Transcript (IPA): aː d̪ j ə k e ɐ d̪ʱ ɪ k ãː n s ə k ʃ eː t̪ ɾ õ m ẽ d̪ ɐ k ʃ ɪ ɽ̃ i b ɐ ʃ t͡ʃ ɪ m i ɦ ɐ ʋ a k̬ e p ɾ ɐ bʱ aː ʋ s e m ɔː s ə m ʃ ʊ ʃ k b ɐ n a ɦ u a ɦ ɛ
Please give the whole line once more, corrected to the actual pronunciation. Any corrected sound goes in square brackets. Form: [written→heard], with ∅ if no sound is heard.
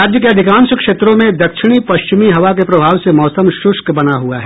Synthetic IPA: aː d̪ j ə k e ɐ d̪ʱ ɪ k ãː n s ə k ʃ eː t̪ ɾ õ m ẽ d̪ ɐ k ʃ ɪ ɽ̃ i [b→p] ɐ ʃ t͡ʃ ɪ m i ɦ ɐ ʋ a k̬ e p ɾ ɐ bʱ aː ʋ s e m ɔː s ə m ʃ ʊ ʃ k b ɐ n a ɦ u a ɦ ɛ